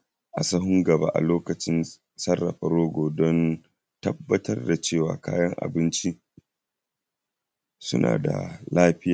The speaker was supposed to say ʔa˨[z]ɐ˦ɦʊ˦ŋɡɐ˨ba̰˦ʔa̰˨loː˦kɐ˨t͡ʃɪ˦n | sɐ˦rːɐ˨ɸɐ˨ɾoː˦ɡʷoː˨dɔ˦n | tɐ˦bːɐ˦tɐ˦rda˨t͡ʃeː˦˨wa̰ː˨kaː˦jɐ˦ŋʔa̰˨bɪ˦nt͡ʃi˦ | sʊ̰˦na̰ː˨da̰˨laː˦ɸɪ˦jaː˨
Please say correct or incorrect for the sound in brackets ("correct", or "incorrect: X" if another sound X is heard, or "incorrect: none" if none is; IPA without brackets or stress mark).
incorrect: s